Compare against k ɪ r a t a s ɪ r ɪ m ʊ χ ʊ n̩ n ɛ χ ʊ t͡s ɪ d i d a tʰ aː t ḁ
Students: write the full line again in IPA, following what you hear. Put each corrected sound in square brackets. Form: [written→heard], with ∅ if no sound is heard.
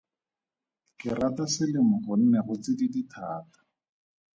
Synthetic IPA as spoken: k ɪ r a t a s ɪ [r→l] ɪ m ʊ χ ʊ n̩ n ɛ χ ʊ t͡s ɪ d i d [a→i] tʰ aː t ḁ